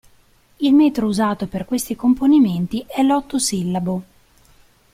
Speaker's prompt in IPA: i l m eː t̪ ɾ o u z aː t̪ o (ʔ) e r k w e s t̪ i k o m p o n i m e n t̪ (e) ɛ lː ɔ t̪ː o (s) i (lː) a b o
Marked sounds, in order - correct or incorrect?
incorrect, incorrect, correct, correct

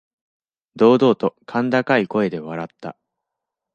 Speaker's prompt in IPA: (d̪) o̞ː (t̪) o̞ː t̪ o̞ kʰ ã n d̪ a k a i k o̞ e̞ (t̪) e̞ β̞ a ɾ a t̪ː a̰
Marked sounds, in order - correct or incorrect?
correct, incorrect, incorrect

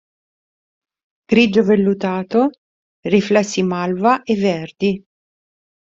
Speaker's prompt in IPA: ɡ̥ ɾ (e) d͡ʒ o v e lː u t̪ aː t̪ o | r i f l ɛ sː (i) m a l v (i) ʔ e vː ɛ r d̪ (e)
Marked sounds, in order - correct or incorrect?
incorrect, correct, incorrect, incorrect

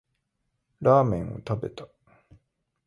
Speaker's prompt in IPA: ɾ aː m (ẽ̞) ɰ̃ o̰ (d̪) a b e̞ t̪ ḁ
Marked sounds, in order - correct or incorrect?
correct, incorrect

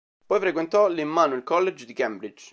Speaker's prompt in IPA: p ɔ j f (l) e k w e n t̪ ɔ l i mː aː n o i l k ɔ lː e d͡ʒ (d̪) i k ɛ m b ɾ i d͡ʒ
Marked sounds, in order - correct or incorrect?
incorrect, correct

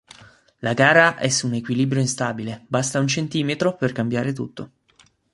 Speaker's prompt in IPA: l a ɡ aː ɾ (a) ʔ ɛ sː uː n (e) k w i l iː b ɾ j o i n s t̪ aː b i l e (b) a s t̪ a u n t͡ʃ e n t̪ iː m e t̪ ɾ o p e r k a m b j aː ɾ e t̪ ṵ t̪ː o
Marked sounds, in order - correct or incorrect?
correct, correct, correct

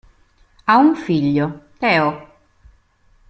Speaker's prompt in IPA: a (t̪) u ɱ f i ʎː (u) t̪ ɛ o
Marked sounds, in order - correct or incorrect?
incorrect, incorrect

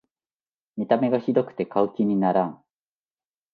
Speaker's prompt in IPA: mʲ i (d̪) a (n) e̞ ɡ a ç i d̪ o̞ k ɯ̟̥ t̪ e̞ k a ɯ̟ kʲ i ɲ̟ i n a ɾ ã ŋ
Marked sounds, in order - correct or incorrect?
incorrect, incorrect

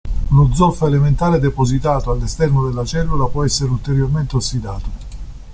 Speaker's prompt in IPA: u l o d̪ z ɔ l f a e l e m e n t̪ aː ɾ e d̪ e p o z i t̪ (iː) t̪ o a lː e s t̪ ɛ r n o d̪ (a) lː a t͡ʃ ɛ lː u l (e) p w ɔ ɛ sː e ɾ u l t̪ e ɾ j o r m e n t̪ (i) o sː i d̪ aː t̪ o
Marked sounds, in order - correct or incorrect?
incorrect, incorrect, incorrect, incorrect

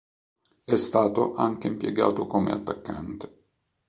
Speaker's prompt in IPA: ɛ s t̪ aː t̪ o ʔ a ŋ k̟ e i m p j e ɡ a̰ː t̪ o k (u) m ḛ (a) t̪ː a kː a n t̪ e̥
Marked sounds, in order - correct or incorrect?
incorrect, correct

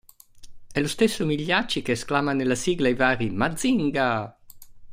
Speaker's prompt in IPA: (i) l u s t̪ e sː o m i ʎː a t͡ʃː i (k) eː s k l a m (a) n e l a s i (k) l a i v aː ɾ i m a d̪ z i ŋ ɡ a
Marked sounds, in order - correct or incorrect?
incorrect, correct, correct, incorrect

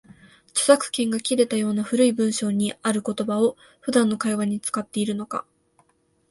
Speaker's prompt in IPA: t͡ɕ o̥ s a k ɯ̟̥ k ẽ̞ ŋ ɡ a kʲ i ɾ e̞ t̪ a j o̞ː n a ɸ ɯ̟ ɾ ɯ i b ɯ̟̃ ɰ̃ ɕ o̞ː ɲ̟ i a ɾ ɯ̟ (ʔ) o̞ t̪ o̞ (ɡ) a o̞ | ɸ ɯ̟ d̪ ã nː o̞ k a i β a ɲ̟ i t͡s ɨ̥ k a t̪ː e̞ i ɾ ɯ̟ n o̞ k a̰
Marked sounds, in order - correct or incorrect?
incorrect, incorrect

